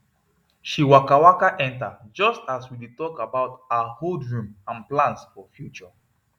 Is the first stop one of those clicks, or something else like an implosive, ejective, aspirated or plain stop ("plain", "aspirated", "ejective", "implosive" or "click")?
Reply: plain